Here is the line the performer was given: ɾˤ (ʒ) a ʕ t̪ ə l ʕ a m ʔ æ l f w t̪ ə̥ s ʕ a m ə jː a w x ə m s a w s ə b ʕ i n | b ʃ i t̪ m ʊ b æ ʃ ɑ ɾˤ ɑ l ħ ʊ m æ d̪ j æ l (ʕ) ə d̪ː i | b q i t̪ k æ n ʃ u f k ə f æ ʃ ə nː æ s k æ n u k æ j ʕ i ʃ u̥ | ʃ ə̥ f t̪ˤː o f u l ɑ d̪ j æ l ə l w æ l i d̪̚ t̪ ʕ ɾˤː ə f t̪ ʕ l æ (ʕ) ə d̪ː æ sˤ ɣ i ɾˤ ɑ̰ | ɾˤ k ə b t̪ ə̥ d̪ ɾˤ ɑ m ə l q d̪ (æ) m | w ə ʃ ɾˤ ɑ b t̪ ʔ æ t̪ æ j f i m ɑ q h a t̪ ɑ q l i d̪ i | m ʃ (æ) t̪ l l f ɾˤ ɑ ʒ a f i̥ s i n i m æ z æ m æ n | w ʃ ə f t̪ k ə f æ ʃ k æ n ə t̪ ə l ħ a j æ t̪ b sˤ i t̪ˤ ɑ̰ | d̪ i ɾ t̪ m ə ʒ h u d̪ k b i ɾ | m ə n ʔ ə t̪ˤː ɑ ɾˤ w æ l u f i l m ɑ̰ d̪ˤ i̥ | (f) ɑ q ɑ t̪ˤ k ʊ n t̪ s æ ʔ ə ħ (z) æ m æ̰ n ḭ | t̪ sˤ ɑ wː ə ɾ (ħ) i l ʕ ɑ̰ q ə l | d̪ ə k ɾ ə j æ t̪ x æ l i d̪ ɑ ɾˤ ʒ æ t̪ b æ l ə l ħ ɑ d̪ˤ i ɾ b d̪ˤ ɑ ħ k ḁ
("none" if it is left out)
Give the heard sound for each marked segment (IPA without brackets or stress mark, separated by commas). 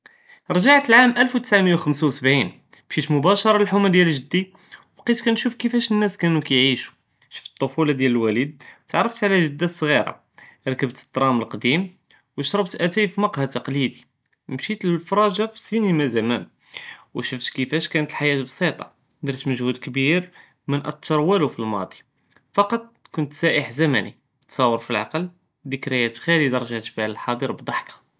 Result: ʒ, ʒ, ʒ, i, i, f, z, f